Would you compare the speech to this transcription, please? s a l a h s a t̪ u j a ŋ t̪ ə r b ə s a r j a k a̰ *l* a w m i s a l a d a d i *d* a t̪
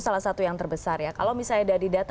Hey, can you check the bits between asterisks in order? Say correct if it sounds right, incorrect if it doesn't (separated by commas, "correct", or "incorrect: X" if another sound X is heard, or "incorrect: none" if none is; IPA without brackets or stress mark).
correct, correct